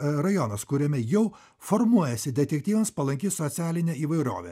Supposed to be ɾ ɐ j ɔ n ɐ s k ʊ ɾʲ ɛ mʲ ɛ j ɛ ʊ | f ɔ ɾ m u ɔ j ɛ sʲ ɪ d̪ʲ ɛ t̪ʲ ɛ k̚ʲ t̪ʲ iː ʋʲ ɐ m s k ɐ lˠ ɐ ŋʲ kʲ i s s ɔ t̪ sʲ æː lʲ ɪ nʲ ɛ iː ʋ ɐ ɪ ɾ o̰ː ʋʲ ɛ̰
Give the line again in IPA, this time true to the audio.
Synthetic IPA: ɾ ɐ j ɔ n ɐ s k ʊ ɾʲ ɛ mʲ ɛ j ɛ ʊ | f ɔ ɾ m u ɔ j ɛ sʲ ɪ d̪ʲ ɛ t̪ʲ ɛ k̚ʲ t̪ʲ iː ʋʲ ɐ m s p ɐ lˠ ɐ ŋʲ kʲ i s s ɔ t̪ sʲ æː lʲ ɪ nʲ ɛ iː ʋ ɐ ɪ ɾ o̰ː ʋʲ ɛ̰